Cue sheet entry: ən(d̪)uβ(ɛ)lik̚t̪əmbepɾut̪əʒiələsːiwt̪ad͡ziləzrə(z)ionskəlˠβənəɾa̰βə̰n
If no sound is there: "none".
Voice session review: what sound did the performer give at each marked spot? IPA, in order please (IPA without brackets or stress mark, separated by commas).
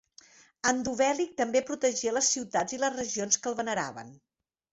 d̪, ɛ, ʒ